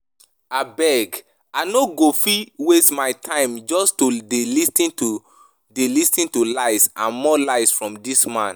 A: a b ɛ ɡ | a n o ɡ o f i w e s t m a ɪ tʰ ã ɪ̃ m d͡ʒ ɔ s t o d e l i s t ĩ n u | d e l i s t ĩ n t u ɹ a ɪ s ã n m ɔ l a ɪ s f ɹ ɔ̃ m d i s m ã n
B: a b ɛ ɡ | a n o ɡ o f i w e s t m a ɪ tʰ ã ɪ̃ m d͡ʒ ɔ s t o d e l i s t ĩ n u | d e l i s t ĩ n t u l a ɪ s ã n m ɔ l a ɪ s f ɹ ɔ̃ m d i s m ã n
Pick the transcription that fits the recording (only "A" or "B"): B